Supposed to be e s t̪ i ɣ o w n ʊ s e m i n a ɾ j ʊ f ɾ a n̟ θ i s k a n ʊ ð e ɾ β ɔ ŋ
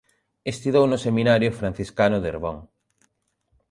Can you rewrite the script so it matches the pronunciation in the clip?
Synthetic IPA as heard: e s t̪ i ð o w n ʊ s e m i n a ɾ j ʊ f ɾ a n̟ θ i s k a n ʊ ð e ɾ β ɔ ŋ